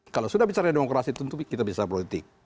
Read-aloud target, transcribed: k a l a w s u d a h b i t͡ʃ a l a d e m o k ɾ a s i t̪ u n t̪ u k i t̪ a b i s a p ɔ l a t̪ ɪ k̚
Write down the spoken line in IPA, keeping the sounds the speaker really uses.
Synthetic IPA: k a l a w s u d a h b i t͡ʃ a ɾ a d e m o k ɾ a s i t̪ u n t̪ u k i t̪ a b i s a p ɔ l i t̪ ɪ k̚